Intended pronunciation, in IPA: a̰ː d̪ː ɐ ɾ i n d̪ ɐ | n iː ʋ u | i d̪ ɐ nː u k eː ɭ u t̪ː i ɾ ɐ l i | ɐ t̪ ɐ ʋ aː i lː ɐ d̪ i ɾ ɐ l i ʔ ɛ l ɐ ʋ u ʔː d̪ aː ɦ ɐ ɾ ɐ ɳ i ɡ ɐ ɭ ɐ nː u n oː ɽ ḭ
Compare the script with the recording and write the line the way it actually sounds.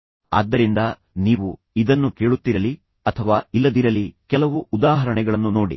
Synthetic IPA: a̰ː d̪ː ɐ ɾ i n d̪ ɐ | n iː ʋ u | i d̪ ɐ nː u k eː ɭ u t̪ː i ɾ ɐ l i | ɐ t̪ʰ ɐ ʋ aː i lː ɐ d̪ i ɾ ɐ l i k ɛ l ɐ ʋ u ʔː d̪ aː ɦ ɐ ɾ ɐ ɳ ɛ ɡ ɐ ɭ ɐ nː u n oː ɽ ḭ